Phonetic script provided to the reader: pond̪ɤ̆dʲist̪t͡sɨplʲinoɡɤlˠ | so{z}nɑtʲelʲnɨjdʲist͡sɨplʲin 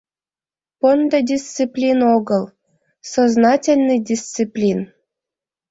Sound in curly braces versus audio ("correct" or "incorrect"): correct